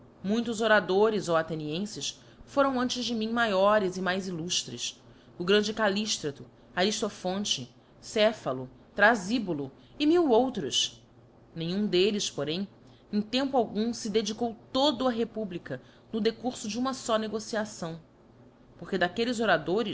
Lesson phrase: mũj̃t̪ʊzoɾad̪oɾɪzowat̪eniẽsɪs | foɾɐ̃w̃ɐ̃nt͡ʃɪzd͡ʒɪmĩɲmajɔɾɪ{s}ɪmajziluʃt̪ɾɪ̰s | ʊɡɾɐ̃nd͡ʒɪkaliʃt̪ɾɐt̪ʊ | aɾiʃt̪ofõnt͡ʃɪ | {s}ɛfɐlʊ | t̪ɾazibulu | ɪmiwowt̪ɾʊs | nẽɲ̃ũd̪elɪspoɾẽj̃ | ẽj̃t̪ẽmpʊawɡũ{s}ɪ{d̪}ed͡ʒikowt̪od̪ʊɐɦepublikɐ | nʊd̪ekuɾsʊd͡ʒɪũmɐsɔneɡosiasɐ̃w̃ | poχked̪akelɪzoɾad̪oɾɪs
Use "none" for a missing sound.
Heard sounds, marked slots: z, s, s, d̪

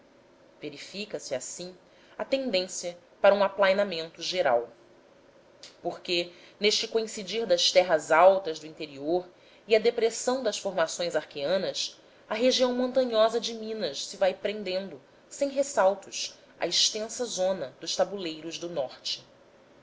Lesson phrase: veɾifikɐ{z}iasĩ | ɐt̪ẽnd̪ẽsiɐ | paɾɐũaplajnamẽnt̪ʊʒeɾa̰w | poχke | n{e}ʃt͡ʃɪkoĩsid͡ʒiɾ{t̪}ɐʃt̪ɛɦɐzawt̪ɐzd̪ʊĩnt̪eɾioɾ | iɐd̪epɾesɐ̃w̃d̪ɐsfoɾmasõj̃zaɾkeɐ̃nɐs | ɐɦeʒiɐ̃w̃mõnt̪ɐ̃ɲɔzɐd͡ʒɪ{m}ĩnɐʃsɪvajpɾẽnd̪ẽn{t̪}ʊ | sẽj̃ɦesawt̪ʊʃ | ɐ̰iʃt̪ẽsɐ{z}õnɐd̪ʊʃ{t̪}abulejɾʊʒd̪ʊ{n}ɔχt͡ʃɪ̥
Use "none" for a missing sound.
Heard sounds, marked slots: s, e, d̪, m, d̪, z, t̪, n

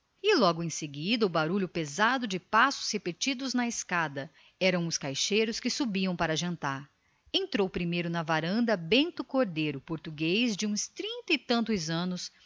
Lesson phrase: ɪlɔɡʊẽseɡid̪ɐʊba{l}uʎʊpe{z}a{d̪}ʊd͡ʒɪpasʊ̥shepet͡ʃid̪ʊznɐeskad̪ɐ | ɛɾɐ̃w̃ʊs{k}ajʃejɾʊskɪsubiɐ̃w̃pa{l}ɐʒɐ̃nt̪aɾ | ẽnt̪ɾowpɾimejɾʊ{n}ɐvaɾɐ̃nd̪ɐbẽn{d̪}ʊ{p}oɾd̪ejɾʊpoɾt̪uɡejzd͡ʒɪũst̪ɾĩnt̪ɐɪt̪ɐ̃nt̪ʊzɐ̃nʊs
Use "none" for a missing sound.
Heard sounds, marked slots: ɾ, z, d̪, k, ɾ, n, t̪, k

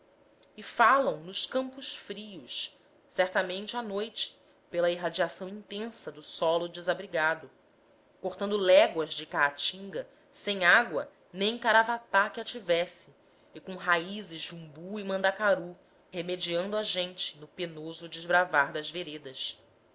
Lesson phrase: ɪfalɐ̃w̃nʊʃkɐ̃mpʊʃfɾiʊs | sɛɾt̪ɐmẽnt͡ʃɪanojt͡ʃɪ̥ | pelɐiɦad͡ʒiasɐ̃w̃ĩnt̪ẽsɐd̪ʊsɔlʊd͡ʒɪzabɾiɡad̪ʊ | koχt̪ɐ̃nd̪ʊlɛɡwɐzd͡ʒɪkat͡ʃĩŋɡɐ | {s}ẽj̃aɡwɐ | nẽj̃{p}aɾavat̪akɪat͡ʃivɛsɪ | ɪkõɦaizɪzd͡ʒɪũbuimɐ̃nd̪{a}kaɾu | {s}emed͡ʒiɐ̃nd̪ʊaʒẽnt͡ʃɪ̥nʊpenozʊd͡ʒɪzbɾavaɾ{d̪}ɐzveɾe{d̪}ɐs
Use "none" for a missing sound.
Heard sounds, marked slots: s, k, a, h, d̪, d̪

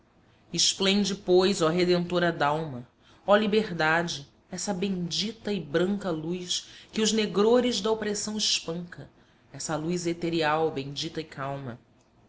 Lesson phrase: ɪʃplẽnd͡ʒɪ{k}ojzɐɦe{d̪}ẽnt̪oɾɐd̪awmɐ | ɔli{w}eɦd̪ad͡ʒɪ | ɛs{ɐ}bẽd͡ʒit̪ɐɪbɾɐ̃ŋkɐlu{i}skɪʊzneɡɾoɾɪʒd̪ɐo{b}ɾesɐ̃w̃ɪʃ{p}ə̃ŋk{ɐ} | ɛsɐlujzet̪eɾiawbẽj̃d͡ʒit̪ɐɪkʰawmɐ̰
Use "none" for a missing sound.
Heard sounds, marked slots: p, d̪, b, ɐ, j, p, p, ɐ

